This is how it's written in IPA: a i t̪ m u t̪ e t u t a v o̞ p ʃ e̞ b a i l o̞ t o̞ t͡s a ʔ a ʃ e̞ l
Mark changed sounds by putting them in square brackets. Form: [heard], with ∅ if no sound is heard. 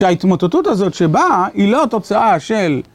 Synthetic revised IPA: a i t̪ m [o] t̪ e t u t a [z] o̞ [t] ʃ e̞ b a i l o̞ t o̞ t͡s a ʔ a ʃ e̞ l